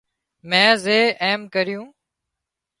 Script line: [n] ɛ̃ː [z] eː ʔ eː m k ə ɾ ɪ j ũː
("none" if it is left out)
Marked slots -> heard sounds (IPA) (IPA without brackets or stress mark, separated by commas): m, z